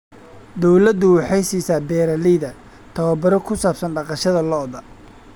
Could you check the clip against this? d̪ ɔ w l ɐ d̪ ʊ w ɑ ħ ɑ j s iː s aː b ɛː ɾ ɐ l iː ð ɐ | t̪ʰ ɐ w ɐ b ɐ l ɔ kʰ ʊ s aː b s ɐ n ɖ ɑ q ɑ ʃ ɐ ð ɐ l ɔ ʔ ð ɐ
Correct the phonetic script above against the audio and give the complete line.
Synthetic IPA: d̪ ɔ w l ɐ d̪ ʊ w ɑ ħ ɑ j s iː s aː b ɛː ɾ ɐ l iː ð ɐ | t̪ʰ ɐ w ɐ b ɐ ɾ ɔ kʰ ʊ s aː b s ɐ n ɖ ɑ q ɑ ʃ ɐ ð ɐ l ɔ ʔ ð ɐ